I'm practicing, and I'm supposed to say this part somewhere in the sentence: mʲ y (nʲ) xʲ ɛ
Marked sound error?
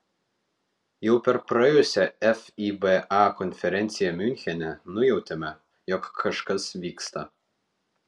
no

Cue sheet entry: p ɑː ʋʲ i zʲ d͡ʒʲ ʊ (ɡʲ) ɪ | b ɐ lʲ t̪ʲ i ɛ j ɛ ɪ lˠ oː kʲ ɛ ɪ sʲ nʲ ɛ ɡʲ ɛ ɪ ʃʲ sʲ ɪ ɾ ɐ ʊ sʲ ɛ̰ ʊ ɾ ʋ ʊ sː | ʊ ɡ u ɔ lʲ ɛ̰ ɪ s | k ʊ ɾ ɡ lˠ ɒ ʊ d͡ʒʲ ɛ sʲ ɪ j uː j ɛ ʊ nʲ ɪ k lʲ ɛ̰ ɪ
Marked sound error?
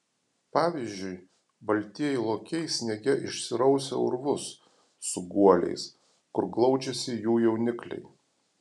yes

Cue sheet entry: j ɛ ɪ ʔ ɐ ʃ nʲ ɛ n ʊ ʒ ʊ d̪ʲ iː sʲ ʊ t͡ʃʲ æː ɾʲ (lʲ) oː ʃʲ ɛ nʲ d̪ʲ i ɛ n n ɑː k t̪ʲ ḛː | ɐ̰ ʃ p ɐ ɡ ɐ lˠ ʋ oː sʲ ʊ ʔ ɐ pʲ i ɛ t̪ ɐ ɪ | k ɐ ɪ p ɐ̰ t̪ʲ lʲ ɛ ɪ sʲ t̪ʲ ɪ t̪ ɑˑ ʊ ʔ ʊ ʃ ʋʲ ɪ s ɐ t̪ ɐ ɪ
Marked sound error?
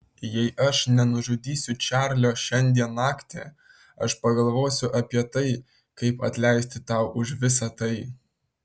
no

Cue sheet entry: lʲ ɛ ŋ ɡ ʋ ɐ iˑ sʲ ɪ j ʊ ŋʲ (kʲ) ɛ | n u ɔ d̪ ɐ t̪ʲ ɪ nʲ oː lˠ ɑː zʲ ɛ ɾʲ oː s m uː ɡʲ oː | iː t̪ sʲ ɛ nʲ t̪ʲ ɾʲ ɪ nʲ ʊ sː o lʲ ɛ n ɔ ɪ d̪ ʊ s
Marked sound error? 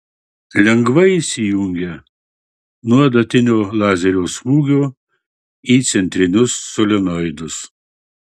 yes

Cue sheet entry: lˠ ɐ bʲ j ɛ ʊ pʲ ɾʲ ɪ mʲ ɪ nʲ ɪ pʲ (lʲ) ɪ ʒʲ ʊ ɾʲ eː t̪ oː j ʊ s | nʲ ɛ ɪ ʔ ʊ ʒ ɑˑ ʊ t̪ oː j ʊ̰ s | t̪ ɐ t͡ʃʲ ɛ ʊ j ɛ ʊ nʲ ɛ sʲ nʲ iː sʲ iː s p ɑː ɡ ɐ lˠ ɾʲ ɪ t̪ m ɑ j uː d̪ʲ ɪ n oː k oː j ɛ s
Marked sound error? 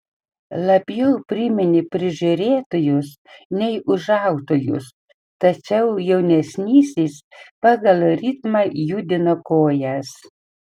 yes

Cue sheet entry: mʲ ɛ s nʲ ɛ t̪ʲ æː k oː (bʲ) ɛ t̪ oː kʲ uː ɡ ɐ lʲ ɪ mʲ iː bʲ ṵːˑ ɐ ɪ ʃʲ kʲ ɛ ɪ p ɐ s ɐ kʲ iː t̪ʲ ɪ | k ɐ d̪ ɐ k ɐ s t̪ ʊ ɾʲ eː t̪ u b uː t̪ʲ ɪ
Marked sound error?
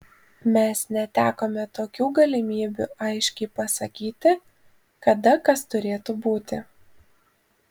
yes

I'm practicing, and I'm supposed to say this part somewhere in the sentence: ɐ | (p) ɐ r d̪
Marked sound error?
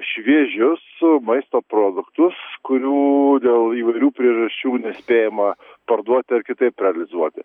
no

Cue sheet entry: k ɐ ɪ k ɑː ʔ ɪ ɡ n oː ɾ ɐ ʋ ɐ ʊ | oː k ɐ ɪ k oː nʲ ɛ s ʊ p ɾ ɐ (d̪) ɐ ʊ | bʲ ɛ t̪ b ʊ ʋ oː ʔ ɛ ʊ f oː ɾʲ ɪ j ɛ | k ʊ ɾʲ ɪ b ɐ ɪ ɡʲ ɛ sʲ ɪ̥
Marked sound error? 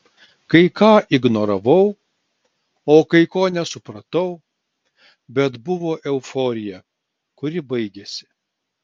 yes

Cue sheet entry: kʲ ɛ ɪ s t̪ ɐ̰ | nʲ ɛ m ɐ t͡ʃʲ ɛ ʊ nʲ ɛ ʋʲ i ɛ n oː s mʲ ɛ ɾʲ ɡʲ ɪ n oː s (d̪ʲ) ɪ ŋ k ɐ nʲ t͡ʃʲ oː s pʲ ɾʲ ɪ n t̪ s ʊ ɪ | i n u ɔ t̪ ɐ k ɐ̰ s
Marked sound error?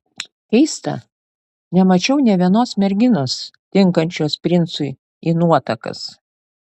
yes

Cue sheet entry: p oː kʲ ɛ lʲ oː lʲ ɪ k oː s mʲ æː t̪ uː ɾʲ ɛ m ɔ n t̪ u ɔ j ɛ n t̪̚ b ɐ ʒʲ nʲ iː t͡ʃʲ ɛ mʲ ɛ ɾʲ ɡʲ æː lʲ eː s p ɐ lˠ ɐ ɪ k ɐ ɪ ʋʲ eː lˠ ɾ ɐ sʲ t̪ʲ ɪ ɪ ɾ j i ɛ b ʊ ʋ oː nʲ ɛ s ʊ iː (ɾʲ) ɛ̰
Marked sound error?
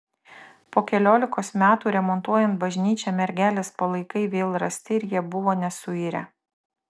no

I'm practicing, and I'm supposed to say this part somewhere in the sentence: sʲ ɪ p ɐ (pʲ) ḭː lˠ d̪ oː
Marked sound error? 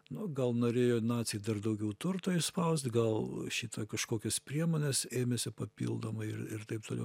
no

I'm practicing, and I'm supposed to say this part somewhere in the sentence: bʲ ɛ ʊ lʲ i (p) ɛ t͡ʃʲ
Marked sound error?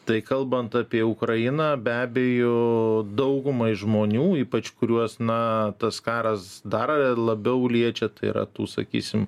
yes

